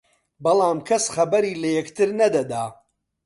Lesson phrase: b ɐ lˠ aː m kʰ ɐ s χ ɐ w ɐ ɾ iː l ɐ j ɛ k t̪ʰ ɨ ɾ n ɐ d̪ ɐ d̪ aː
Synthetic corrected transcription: b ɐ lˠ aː m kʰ ɐ s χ ɐ b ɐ ɾ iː l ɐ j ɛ k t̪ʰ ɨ ɾ n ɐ d̪ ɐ d̪ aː